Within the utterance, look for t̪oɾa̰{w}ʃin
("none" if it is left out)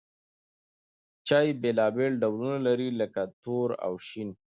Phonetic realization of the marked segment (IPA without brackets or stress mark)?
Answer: w